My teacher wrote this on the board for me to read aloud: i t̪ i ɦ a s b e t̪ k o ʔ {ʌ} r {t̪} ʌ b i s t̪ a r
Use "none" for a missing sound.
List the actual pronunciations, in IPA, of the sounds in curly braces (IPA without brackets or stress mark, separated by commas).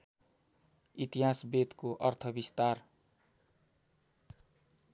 ʌ, t̪ʰ